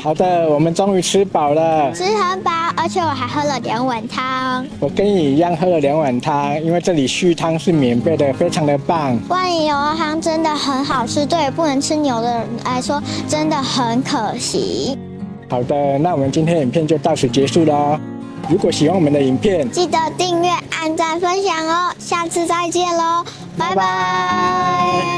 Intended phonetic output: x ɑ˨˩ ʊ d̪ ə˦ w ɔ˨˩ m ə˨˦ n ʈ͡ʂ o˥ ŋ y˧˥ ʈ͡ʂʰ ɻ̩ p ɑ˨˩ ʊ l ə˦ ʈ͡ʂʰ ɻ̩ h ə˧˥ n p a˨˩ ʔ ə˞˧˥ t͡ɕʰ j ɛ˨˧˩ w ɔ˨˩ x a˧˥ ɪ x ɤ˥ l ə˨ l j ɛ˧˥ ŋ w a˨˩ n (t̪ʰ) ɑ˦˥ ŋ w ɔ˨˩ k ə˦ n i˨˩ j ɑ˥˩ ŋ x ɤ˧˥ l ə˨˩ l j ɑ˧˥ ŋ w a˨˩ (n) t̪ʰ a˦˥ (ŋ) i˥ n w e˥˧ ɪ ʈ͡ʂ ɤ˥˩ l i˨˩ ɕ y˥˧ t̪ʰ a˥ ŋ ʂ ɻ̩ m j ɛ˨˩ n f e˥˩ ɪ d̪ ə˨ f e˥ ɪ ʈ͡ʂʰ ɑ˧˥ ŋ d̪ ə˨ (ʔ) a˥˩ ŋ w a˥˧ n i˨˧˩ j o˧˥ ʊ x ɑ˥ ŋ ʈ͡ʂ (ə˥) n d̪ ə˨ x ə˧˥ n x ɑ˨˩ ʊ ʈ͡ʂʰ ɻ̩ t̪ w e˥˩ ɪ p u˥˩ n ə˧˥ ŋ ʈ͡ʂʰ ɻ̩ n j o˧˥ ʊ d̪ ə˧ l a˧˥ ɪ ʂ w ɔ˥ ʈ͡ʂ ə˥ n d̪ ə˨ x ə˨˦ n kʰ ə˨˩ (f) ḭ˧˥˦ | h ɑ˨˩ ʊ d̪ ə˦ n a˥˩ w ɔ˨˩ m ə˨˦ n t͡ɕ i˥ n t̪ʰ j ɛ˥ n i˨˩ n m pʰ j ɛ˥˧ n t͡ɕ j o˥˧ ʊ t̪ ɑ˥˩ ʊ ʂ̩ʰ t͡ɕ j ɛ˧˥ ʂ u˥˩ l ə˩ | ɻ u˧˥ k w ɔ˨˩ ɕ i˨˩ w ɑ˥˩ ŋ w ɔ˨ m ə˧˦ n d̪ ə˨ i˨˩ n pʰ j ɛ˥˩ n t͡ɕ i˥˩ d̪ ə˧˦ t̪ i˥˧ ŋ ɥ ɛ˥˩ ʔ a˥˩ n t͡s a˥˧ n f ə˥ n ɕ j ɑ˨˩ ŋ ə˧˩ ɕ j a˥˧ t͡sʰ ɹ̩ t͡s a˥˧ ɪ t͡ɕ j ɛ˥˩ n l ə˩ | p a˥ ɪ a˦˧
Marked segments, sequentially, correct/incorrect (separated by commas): correct, correct, correct, incorrect, correct, incorrect